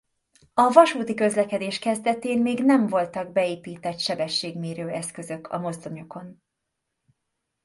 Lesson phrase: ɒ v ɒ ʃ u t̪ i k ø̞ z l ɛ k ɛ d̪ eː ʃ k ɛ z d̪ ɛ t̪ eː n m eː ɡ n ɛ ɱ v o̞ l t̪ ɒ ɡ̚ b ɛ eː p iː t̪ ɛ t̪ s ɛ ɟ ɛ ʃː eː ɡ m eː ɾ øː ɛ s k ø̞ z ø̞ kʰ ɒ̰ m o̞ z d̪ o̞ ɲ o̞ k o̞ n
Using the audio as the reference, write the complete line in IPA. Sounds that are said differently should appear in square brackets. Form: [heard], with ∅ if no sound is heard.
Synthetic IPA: ɒ v ɒ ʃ [uː] t̪ i k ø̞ z l ɛ k ɛ d̪ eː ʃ k ɛ z d̪ ɛ t̪ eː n m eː ɡ n ɛ ɱ v o̞ l t̪ ɒ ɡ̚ b ɛ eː p iː t̪ ɛ t̪ [ʃ] ɛ [b] ɛ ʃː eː ɡ m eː ɾ øː ɛ s k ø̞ z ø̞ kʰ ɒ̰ m o̞ z d̪ o̞ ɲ o̞ k o̞ n